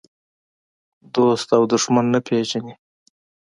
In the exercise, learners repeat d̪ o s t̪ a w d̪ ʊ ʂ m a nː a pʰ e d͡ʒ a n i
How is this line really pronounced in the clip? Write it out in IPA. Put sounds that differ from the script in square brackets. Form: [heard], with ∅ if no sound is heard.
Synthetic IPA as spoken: d̪ o s t̪ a w d̪ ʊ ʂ m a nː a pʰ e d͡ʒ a n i